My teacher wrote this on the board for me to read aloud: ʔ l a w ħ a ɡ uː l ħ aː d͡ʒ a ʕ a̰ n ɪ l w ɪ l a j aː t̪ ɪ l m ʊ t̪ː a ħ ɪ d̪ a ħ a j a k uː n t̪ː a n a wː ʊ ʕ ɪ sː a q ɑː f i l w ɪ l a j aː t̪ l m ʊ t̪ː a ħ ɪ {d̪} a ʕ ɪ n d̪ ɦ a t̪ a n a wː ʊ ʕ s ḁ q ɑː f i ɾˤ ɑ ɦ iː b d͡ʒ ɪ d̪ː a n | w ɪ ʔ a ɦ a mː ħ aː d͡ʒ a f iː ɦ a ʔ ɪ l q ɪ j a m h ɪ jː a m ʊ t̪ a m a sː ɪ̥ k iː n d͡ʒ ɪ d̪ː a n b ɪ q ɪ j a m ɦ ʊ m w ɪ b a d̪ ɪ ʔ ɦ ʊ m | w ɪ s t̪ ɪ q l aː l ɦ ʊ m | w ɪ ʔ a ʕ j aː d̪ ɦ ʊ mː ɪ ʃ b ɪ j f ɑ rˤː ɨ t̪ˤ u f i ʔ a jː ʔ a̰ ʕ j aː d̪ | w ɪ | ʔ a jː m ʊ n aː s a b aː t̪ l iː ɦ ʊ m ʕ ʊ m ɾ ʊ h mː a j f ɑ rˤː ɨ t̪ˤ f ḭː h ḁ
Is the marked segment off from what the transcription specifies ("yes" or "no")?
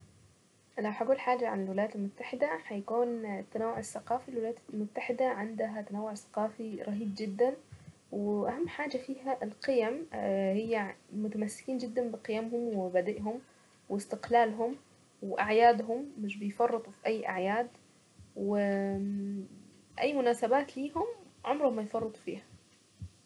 no